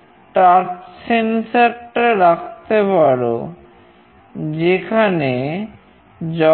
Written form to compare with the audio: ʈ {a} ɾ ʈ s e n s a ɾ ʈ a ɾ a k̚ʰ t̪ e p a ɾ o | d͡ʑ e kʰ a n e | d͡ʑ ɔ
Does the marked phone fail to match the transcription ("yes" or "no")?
no